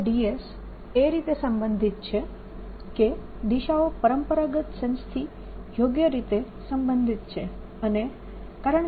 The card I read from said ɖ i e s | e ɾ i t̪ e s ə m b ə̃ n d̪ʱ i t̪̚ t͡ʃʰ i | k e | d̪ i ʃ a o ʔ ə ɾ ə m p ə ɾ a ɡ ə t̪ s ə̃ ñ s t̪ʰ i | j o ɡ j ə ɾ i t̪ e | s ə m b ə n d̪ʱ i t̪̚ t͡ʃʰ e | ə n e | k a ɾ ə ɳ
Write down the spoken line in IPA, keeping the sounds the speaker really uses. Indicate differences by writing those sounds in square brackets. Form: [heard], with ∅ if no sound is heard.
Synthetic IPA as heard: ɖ i e s | e ɾ i t̪ e s ə m b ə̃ n d̪ʱ i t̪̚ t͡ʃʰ [e] | k e | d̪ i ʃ a o [p] ə ɾ ə m p ə ɾ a ɡ ə t̪ s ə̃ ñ s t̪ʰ i | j o ɡ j ə ɾ i t̪ e | s ə m b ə n d̪ʱ i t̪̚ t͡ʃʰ e | ə n e | k a ɾ ə ɳ